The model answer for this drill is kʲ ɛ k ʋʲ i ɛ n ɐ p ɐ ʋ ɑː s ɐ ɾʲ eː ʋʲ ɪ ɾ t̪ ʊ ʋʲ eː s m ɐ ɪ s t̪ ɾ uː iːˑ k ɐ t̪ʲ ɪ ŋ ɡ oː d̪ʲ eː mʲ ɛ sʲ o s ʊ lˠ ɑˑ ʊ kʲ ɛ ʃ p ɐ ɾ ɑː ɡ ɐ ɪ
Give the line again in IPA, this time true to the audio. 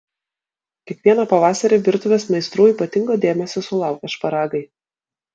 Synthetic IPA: kʲ ɛ k ʋʲ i ɛ n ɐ p ɐ ʋ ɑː s ɐ ɾʲ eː ʋʲ ɪ ɾ t̪ ʊ ʋʲ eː s m ɐ ɪ s t̪ ɾ uː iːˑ p ɐ t̪ʲ ɪ ŋ ɡ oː d̪ʲ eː mʲ ɛ sʲ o s ʊ lˠ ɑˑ ʊ kʲ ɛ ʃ p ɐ ɾ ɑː ɡ ɐ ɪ